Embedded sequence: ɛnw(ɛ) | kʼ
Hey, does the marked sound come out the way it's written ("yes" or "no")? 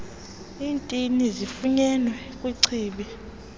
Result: yes